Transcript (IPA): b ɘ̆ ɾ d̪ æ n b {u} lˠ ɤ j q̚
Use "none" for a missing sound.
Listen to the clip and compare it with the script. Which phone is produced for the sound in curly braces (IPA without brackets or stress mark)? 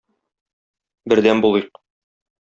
u